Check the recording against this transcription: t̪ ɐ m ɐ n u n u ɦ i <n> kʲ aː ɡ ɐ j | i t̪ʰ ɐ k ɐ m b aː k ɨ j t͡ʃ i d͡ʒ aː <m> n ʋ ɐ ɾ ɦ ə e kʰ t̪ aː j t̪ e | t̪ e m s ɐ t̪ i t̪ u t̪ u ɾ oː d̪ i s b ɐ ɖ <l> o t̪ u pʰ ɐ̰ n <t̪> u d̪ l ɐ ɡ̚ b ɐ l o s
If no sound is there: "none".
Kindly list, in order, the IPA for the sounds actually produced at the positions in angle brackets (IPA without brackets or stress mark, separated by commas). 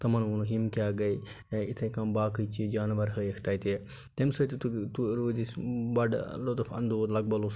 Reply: m, none, l, d̪